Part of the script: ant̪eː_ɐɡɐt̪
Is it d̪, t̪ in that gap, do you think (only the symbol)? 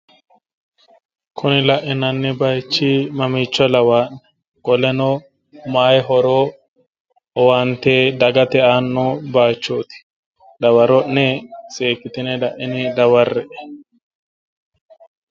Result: d̪